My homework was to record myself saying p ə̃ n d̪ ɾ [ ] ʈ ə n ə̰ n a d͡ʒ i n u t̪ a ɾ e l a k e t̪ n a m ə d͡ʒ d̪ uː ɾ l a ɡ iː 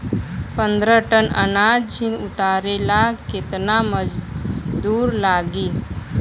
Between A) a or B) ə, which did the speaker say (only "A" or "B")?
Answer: B